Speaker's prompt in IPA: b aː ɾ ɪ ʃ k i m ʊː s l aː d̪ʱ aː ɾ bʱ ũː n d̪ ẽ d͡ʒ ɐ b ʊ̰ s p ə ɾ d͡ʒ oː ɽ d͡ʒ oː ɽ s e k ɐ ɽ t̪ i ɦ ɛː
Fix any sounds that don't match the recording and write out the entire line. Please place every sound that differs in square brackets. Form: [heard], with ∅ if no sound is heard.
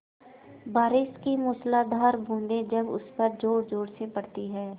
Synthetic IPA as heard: b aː ɾ ɪ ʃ k i m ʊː s l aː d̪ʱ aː ɾ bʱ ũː n d̪ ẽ d͡ʒ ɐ b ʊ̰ s p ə ɾ d͡ʒ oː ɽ d͡ʒ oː ɽ s e [p] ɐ ɽ t̪ i ɦ ɛː